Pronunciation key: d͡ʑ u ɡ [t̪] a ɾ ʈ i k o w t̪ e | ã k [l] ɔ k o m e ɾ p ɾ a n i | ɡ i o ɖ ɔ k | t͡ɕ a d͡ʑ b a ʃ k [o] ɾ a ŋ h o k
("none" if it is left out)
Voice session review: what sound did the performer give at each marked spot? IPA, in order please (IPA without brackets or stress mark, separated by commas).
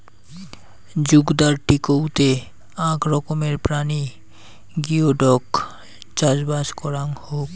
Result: d̪, ɾ, ɔ